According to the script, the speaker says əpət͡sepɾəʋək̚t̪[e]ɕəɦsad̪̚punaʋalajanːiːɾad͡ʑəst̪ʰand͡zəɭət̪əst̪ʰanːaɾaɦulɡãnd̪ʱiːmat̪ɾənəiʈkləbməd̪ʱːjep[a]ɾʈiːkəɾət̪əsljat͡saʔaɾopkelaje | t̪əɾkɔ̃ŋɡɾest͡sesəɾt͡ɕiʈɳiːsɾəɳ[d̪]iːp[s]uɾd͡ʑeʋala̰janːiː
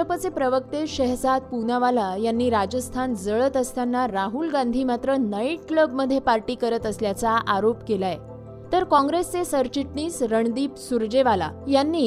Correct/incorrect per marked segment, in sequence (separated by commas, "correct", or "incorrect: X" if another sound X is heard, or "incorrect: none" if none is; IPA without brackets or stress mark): correct, correct, correct, correct